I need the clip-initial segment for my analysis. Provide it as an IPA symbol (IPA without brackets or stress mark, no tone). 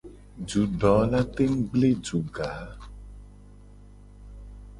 d͡ʒ